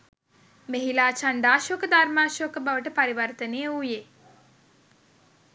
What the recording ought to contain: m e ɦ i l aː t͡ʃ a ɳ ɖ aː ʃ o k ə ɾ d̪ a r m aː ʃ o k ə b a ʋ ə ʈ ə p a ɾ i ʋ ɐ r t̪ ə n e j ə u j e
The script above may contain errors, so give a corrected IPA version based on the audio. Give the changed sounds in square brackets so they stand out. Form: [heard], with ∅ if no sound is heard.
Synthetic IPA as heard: m e ɦ i l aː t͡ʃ a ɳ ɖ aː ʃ o k ə [∅] d̪ a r m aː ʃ o k ə b a ʋ ə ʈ ə p a ɾ i ʋ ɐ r t̪ ə n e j ə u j e